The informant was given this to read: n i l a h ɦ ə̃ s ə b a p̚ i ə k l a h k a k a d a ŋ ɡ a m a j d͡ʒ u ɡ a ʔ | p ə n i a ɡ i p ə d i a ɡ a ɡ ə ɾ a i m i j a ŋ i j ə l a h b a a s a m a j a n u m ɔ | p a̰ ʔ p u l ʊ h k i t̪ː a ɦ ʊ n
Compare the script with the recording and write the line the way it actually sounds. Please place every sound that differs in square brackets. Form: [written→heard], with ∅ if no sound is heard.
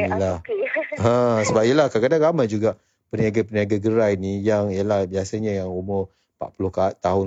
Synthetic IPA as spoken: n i l a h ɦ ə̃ s ə b a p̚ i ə [k→∅] l a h k a k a d a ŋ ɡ a m a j d͡ʒ u ɡ a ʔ | p ə n i a ɡ [i→a] p ə [d→n] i a ɡ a ɡ ə ɾ a i [m→n] i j a ŋ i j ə l a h b [a→i] a s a [m→ɲ] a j a [n→ŋ] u m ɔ | p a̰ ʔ p u l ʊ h k [i→a] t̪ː a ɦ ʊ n